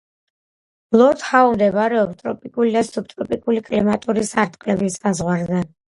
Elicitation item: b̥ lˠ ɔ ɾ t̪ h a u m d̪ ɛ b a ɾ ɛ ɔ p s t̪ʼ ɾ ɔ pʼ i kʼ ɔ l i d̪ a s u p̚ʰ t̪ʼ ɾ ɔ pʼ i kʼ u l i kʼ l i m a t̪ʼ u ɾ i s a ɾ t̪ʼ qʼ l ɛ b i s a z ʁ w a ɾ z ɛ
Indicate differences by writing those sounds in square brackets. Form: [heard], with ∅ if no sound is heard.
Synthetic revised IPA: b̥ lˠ ɔ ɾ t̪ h a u m d̪ ɛ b a ɾ ɛ ɔ p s t̪ʼ ɾ ɔ pʼ i kʼ [u] l i d̪ a s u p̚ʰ t̪ʼ ɾ ɔ pʼ i kʼ u l i kʼ l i m a t̪ʼ u ɾ i s a ɾ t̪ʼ qʼ l ɛ b i s a z ʁ w a ɾ z ɛ